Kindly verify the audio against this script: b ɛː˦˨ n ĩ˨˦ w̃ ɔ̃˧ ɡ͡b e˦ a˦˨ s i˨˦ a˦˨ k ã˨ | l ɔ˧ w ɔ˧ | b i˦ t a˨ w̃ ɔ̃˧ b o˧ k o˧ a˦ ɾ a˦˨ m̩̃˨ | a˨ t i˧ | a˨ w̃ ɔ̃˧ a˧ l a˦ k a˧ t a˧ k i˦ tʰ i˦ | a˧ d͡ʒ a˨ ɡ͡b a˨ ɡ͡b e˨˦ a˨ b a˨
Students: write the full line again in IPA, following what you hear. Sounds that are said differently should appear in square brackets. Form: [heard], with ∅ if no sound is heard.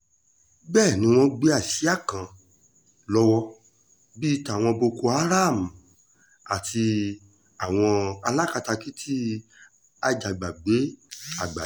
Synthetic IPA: b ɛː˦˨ n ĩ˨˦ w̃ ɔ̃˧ ɡ͡b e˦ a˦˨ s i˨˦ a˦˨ k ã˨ | l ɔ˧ w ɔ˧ | b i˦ t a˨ w̃ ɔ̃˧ b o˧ k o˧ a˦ ɾ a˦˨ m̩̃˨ | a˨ t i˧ | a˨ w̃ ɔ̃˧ a˧ l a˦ k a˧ t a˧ k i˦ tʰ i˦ | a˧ d͡ʒ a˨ ɡ͡b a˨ ɡ͡b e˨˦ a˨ [ɡ͡b] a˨